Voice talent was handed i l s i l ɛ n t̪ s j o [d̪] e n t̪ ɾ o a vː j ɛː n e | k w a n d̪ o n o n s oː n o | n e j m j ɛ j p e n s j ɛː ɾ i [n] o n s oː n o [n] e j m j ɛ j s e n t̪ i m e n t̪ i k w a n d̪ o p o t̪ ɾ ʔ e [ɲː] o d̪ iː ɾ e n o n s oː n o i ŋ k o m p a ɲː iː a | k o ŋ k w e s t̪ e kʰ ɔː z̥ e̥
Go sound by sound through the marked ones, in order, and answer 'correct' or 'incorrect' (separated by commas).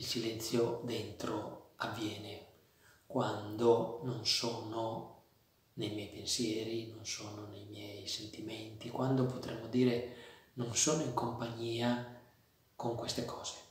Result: correct, correct, correct, incorrect